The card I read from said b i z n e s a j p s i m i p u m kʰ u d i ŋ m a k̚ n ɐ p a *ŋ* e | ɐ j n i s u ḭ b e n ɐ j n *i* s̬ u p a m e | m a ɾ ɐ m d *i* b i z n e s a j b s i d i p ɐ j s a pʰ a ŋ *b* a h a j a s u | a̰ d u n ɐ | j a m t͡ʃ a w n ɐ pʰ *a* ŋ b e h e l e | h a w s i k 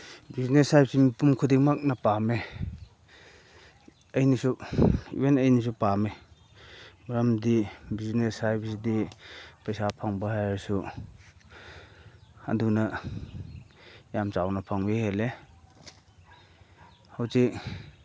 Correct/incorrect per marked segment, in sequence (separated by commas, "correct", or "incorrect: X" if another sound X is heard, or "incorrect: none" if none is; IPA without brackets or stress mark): incorrect: m, correct, correct, correct, correct